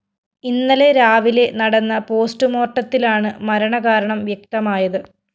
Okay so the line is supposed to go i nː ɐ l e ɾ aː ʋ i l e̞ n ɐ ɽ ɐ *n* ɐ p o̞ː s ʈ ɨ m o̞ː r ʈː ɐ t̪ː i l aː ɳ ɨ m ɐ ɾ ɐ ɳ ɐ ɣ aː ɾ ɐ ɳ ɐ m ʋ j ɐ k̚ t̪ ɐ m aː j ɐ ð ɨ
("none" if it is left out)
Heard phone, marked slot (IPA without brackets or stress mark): nː